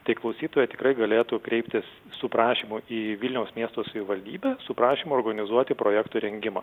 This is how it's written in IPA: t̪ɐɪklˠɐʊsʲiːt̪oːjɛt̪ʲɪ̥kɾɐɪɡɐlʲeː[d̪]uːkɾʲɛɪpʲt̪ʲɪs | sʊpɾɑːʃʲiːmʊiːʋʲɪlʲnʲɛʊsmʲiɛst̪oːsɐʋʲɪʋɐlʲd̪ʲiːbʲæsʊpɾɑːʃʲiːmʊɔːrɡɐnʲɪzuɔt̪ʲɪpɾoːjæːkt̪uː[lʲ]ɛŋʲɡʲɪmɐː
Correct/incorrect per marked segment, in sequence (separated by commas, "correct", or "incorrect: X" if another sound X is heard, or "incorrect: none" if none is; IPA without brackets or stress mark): incorrect: t̪, incorrect: ɾʲ